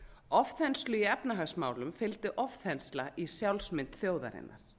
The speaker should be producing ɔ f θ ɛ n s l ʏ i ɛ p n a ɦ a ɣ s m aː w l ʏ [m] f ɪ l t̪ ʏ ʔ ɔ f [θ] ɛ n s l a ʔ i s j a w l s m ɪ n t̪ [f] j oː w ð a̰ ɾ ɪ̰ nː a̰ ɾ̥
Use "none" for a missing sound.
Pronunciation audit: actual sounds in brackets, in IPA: m, θ, θ

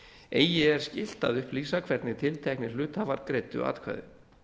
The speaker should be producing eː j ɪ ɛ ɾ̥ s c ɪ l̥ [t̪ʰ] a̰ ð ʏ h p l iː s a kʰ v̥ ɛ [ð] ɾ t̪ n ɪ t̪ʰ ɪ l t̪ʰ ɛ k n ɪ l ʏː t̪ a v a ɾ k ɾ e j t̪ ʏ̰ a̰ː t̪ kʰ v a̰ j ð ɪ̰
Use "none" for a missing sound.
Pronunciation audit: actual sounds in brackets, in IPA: t̪, none

